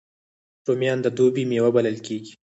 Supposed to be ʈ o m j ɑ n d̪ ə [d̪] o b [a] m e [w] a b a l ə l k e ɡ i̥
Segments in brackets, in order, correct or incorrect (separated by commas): correct, incorrect, correct